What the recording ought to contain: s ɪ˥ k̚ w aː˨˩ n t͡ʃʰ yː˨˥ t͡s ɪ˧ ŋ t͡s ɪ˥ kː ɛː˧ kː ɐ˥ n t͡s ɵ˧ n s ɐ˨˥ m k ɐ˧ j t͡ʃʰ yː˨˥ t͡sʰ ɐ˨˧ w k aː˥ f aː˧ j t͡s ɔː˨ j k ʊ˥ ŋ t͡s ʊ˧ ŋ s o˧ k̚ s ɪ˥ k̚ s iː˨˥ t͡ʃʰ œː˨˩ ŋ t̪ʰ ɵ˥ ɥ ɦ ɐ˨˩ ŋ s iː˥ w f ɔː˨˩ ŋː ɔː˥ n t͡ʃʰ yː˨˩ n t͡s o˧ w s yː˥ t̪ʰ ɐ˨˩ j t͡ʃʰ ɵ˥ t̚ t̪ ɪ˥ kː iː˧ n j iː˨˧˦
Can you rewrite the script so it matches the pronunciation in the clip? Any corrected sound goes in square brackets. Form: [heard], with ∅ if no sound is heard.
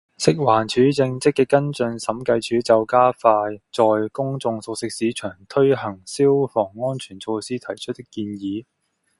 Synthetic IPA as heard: s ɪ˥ k̚ w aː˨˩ n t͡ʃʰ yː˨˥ t͡s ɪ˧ ŋ t͡s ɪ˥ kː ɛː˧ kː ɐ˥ n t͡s ɵ˧ n s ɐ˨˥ m k ɐ˧ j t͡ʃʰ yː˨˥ [t͡s] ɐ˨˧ w k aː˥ f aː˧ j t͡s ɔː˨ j k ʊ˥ ŋ t͡s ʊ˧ ŋ s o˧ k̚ s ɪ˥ k̚ s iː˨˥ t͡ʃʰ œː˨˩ ŋ t̪ʰ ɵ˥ ɥ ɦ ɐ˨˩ ŋ s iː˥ w f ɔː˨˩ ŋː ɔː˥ n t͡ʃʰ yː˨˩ n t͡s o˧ w s [iː˥] t̪ʰ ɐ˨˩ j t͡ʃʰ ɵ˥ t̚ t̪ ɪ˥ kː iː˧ n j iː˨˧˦